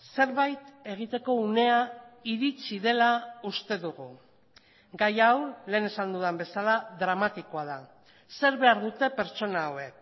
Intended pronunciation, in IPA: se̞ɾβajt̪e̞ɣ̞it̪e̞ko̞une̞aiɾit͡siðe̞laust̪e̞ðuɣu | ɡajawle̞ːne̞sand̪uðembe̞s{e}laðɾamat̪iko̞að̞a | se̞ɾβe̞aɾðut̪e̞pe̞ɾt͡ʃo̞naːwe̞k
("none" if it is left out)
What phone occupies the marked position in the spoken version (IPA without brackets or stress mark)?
a